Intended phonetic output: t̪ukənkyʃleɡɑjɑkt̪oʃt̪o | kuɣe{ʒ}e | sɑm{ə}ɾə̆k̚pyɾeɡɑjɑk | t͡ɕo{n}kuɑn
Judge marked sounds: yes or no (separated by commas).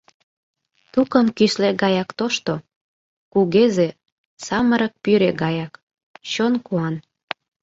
no, yes, yes